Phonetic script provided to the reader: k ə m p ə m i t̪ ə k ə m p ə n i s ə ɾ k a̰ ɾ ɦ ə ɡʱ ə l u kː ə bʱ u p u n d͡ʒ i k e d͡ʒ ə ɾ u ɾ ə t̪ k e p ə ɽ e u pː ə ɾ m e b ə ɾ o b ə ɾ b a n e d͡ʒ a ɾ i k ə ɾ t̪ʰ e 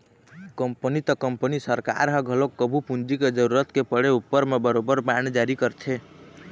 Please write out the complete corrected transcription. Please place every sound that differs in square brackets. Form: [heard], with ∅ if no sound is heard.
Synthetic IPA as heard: k ə m p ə [n] i t̪ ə k ə m p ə n i s ə ɾ k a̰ ɾ ɦ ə ɡʱ ə l [o] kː ə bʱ u p u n d͡ʒ i k e d͡ʒ ə ɾ u ɾ ə t̪ k e p ə ɽ e u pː ə ɾ m e b ə ɾ o b ə ɾ b a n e d͡ʒ a ɾ i k ə ɾ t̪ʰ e